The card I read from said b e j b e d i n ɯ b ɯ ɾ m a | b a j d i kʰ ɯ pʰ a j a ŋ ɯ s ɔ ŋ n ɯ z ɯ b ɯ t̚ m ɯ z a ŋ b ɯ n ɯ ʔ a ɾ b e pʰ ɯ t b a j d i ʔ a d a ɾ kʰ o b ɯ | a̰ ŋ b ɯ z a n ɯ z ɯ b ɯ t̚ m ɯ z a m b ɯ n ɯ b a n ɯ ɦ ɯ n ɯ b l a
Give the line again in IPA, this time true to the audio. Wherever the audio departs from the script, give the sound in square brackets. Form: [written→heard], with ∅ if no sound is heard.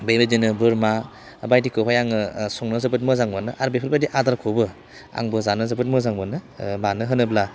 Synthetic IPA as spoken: b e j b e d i n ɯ b ɯ ɾ m a | b a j d i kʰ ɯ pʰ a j a ŋ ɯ s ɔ ŋ n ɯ z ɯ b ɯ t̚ m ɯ z a ŋ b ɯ n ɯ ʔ a ɾ b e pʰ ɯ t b a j d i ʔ a d a ɾ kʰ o b ɯ | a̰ ŋ b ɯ z a n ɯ z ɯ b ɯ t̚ m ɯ z a [m→ŋ] b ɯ n ɯ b a n ɯ ɦ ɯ n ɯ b l a